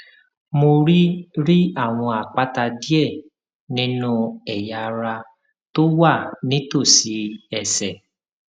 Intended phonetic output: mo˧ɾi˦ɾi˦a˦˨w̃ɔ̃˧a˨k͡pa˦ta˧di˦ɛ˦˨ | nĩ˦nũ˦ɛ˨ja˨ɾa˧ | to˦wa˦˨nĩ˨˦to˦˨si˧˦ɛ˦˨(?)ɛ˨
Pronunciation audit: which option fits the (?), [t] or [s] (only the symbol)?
s